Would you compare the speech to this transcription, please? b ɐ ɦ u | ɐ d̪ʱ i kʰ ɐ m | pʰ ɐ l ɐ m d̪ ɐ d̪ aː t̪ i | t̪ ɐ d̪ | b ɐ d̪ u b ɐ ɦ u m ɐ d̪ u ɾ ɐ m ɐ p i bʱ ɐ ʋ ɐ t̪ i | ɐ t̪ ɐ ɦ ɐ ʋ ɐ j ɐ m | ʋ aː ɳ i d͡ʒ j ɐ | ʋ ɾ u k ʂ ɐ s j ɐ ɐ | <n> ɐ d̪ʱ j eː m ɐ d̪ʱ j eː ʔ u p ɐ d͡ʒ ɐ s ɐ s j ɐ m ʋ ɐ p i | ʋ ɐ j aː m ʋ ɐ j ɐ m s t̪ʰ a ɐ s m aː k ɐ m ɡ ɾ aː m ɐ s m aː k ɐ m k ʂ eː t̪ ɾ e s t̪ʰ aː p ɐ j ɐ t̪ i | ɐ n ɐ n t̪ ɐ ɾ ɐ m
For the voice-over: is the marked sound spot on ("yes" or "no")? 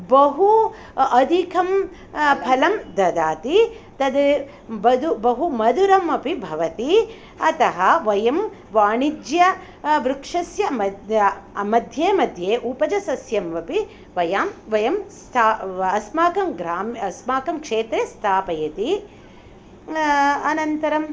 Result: no